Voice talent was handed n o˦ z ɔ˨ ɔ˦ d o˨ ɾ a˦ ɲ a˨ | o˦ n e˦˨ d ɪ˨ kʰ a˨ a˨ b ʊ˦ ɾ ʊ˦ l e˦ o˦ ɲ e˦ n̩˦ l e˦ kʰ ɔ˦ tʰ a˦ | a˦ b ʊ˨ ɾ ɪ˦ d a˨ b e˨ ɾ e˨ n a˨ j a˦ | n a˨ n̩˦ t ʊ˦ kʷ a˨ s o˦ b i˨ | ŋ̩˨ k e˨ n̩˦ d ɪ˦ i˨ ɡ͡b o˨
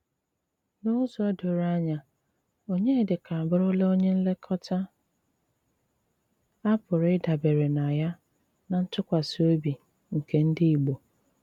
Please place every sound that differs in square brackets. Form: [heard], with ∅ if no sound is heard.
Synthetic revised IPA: n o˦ z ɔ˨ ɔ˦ d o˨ ɾ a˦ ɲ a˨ | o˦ [ɲ] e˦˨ d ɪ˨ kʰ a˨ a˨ b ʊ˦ ɾ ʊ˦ l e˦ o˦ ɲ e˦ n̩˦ l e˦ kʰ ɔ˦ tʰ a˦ | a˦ [p] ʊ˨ ɾ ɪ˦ d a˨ b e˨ ɾ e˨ n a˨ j a˦ | n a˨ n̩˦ t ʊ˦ kʷ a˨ s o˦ b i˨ | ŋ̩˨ k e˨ n̩˦ d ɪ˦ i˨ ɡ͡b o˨